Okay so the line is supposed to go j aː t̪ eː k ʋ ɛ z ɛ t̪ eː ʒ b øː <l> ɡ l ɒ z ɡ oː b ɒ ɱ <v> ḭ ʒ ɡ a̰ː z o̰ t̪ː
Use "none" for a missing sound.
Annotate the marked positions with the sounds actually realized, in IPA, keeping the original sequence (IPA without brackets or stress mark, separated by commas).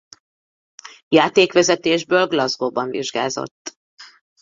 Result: l, v